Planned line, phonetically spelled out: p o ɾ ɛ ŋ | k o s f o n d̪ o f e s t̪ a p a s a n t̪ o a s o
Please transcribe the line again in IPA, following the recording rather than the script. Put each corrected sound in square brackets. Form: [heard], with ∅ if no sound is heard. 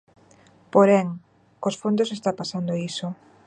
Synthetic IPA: p o ɾ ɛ ŋ | k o s f o n d̪ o [s] e s t̪ a p a s a n [d̪] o [i] s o